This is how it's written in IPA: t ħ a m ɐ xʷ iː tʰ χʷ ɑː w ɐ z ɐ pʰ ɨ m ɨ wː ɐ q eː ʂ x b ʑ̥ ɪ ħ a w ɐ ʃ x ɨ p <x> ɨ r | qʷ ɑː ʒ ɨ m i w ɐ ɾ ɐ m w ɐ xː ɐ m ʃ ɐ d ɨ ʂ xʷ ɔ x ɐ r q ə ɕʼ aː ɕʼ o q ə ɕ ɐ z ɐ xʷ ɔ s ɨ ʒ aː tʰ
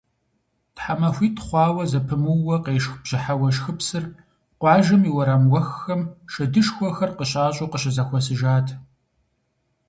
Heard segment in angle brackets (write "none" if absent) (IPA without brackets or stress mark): s